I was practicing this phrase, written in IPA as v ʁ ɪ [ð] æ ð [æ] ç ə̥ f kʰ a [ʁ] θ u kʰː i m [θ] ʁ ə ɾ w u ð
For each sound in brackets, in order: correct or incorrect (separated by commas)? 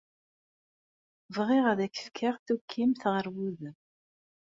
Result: incorrect, correct, correct, correct